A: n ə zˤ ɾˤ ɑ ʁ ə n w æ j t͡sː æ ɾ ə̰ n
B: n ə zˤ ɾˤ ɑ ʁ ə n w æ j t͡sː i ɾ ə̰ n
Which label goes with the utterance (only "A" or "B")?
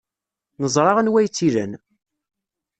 B